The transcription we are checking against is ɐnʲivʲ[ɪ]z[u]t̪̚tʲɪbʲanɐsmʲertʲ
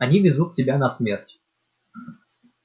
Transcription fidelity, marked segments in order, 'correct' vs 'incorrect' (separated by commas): correct, correct